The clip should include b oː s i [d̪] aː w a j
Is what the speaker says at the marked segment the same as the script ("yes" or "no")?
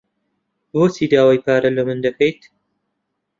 yes